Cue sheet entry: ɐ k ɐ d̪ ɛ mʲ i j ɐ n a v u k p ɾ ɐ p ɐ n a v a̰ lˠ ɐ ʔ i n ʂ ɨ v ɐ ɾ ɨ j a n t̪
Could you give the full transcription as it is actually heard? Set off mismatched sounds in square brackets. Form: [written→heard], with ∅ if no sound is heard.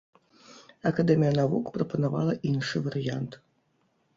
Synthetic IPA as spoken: ɐ k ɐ d̪ ɛ mʲ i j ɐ n a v u k p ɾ ɐ p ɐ n a v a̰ lˠ ɐ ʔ i n ʂ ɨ v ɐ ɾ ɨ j a n t̪